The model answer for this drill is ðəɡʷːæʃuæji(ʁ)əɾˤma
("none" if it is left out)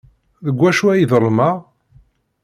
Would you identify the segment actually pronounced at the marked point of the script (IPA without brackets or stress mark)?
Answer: ð